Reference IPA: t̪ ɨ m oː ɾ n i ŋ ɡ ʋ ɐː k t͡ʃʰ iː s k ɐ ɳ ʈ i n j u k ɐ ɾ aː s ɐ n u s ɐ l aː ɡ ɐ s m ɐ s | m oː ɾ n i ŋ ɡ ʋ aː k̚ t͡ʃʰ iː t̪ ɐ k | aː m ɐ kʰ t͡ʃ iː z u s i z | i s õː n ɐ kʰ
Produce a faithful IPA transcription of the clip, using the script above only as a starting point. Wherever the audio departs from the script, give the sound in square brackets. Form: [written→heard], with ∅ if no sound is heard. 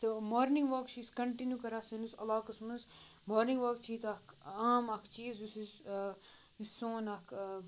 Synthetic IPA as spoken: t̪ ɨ m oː ɾ n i ŋ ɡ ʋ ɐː k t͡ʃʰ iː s k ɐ ɳ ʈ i n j u k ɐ ɾ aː s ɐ n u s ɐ l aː [ɡ→k] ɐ s m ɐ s | m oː ɾ n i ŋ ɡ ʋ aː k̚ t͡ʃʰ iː t̪ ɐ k | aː m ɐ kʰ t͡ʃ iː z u s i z | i s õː n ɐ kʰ